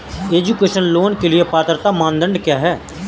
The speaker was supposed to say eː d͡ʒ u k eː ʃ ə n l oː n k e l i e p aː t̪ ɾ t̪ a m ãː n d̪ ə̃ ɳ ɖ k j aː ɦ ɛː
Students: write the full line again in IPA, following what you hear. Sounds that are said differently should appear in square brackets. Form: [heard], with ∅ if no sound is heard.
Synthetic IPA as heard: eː d͡ʒ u k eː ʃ ə n l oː n k e l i e p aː t̪ ɾ t̪ a m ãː n d̪ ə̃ ɳ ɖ k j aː ɦ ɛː